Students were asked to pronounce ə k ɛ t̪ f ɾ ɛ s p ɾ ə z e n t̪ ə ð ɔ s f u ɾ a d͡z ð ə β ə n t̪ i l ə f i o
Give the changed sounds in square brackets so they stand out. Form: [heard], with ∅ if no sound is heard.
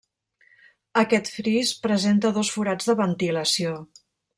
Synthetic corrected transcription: ə k ɛ t̪ f ɾ [i] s p ɾ ə z e n t̪ ə ð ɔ s f u ɾ a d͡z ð ə β ə n t̪ i l ə [s] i o